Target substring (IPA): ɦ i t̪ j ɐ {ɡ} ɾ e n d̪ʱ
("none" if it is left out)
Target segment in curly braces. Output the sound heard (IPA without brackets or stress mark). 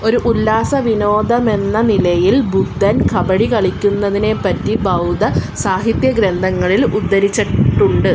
ɡ